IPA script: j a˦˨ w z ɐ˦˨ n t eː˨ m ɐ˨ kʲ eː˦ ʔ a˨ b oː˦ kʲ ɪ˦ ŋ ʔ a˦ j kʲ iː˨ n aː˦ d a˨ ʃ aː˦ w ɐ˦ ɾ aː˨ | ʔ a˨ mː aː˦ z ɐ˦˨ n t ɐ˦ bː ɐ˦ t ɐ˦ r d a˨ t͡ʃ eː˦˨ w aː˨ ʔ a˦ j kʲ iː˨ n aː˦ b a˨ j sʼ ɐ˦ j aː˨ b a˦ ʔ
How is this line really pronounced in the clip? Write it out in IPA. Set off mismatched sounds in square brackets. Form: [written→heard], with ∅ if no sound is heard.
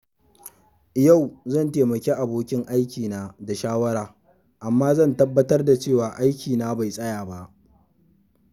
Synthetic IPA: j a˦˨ w z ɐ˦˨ n t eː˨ m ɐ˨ kʲ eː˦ ʔ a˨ b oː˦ kʲ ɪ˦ ŋ ʔ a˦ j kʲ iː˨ n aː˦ d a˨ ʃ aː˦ w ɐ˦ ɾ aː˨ | ʔ a˨ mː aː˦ z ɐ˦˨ n t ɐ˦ bː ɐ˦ t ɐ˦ r d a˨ t͡ʃ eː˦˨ w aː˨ ʔ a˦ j kʲ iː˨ n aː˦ b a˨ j sʼ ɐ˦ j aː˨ b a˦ ʔ